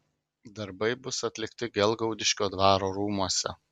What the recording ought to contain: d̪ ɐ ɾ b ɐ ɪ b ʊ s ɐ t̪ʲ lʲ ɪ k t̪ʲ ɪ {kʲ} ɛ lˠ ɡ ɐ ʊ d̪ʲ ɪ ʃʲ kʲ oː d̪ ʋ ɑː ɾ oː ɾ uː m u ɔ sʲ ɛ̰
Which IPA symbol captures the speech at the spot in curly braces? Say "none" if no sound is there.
ɡʲ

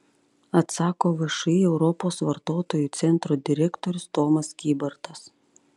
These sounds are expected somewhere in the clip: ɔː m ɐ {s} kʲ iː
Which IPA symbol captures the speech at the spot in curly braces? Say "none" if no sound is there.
s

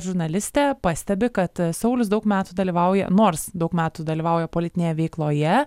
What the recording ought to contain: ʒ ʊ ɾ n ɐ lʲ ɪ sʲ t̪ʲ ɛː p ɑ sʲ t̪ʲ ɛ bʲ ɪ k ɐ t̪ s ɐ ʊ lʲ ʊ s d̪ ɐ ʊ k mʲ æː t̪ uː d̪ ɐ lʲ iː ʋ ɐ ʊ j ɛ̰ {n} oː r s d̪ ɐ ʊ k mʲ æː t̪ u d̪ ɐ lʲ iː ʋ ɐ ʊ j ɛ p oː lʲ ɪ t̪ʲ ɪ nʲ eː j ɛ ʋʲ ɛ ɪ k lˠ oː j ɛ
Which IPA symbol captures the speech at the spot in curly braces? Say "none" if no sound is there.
n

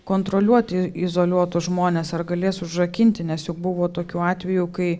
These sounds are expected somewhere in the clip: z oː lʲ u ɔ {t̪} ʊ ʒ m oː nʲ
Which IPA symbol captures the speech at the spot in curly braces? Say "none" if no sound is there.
t̪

